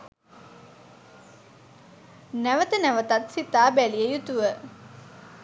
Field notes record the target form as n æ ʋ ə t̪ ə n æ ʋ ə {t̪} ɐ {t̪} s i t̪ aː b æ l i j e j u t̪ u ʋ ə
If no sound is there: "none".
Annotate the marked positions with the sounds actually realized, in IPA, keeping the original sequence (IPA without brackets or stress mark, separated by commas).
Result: t̪, t̪